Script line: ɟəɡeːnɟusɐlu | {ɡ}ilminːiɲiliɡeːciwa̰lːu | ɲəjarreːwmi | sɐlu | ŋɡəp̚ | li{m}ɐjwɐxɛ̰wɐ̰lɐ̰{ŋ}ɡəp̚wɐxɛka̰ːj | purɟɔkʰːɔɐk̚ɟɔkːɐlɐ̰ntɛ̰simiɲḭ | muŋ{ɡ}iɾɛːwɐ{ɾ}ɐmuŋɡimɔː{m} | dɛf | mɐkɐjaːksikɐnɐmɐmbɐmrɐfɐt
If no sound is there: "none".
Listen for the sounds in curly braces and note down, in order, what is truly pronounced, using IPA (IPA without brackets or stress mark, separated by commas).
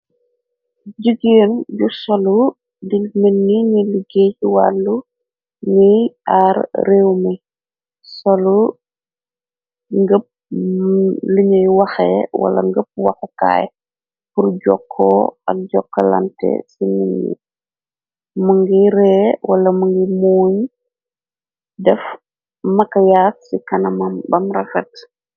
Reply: d, ɲ, ŋ, ɡ, l, ɲ